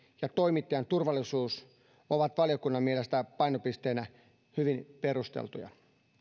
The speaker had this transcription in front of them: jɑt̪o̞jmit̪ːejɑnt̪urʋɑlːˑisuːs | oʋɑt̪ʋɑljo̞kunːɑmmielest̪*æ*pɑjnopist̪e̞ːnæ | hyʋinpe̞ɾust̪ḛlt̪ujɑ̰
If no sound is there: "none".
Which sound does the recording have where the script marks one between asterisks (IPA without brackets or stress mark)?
æ